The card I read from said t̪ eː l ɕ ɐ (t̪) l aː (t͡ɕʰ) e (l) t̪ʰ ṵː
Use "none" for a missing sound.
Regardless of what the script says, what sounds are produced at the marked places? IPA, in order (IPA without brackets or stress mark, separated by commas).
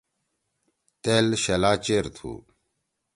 none, t͡ɕ, ɾ